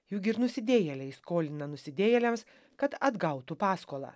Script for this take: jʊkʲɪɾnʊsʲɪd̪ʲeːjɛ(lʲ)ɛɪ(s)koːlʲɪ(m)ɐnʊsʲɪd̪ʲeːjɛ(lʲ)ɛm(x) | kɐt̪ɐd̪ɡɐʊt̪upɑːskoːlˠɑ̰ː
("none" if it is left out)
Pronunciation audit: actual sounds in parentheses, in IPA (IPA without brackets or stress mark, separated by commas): lʲ, s, n, lʲ, s